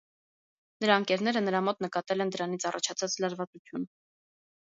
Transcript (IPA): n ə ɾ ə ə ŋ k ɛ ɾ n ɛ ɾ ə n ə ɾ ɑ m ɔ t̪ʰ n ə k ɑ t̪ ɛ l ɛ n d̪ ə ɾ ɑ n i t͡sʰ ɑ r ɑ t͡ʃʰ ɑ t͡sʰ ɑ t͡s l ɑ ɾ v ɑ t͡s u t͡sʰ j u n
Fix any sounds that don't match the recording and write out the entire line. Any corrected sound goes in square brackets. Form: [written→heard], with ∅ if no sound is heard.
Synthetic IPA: n ə ɾ [ə→ɑ] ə ŋ k ɛ ɾ n ɛ ɾ ə n ə ɾ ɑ m ɔ [t̪ʰ→t̪] n ə k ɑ t̪ ɛ l ɛ n d̪ ə ɾ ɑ n i t͡sʰ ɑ r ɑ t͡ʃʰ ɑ t͡sʰ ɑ t͡s l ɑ ɾ v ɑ t͡s u t͡sʰ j u n